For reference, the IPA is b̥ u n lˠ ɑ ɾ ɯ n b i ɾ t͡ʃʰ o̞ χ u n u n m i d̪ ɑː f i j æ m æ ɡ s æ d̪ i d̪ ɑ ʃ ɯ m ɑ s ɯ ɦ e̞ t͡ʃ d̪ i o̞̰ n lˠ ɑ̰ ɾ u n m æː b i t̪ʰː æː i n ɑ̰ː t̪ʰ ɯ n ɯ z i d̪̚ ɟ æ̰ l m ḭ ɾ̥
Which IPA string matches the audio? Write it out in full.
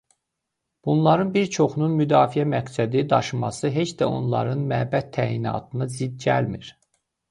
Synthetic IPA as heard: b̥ u n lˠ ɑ ɾ ɯ n b i ɾ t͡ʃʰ o̞ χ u n u n m y d̪ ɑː f i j æ m æ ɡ s æ d̪ i d̪ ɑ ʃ ɯ m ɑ s ɯ ɦ e̞ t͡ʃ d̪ æ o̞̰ n lˠ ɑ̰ ɾ ɯ n m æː b æ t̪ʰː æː i n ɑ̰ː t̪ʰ ɯ n ɯ z i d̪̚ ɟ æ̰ l m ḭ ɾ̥